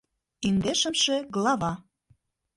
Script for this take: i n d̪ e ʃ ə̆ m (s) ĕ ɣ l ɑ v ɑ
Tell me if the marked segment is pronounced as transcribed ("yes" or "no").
no